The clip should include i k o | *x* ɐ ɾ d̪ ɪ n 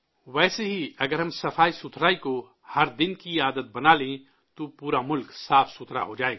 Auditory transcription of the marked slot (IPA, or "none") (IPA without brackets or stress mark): h